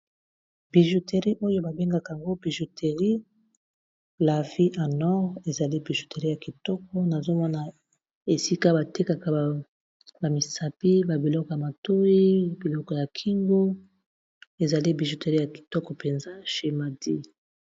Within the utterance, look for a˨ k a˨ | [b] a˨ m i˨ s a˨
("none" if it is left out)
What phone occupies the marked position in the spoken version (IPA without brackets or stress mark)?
b